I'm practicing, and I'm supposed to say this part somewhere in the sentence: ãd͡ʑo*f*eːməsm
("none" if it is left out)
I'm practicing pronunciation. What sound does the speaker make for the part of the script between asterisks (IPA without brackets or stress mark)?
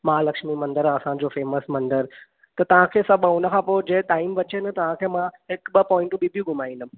f